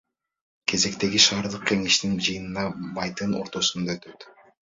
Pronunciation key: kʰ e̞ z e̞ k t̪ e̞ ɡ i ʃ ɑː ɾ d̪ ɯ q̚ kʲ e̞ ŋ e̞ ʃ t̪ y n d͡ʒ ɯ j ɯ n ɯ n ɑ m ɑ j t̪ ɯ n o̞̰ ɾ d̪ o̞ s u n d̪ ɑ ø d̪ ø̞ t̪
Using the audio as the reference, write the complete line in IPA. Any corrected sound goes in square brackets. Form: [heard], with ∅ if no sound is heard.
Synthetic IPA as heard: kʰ e̞ z e̞ k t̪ e̞ ɡ i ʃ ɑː ɾ d̪ ɯ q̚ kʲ e̞ ŋ e̞ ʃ t̪ [i] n d͡ʒ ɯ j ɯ n ɯ n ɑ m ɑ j t̪ ɯ n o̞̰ ɾ [t̪] o̞ s u n d̪ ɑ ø [t̪] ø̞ t̪